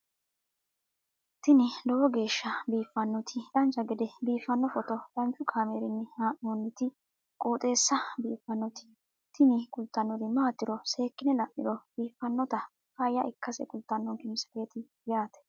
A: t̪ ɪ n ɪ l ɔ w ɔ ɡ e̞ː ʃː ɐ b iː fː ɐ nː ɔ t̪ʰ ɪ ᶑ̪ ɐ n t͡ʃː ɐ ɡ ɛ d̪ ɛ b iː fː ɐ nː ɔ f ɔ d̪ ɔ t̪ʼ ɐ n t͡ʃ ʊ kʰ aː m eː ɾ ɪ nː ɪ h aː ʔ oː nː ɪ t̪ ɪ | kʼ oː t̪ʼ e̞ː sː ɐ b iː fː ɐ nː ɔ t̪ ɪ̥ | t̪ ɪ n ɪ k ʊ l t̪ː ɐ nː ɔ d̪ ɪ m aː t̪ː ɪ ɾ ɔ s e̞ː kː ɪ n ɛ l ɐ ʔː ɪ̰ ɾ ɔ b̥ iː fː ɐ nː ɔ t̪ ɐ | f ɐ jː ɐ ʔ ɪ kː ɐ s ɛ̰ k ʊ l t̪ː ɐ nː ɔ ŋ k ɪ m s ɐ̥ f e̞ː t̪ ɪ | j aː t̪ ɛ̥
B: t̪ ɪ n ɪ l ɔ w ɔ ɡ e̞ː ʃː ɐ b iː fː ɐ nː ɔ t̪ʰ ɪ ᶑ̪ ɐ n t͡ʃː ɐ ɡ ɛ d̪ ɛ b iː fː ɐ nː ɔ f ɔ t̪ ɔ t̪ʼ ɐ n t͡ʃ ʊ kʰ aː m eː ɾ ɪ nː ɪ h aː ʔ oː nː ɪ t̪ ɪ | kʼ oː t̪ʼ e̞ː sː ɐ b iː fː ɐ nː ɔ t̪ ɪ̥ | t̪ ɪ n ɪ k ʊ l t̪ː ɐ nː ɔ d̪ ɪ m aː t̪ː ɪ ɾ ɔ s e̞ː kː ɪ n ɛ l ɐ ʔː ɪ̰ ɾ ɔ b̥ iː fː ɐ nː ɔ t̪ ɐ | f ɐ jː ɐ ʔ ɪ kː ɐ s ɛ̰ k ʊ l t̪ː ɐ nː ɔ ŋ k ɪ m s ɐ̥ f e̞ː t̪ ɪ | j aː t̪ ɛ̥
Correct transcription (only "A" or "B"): B